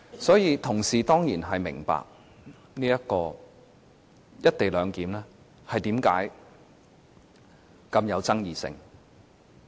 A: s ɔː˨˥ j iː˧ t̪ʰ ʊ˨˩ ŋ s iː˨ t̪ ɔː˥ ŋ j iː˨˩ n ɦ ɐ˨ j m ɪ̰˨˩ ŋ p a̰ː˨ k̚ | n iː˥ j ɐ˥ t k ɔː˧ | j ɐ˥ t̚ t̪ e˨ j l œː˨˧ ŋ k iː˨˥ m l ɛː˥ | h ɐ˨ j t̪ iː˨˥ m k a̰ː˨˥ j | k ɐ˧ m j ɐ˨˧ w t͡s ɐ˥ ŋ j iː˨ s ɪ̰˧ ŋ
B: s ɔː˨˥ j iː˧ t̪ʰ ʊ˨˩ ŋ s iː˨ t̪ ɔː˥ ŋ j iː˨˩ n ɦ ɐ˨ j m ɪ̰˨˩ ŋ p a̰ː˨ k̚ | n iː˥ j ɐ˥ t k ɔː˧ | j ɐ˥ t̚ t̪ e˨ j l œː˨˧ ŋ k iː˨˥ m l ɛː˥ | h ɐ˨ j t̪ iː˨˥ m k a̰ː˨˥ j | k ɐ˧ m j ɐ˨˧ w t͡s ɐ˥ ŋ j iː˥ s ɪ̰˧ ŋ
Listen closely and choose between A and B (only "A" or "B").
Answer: A